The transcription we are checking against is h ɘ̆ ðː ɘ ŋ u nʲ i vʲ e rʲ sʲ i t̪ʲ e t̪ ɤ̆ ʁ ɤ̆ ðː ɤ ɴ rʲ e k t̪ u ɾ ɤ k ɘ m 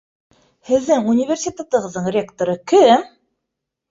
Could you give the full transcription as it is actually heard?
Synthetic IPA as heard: h ɘ̆ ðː ɘ ŋ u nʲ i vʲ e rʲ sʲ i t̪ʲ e t̪ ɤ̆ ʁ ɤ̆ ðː ɤ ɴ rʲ e k t̪ o ɾ ɤ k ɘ m